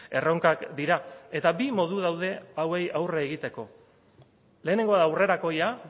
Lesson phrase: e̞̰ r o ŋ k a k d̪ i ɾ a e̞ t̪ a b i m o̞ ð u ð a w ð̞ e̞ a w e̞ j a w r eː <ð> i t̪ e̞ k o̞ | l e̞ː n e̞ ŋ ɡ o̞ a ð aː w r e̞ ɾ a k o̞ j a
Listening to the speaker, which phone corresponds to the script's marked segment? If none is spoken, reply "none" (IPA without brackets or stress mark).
ɣ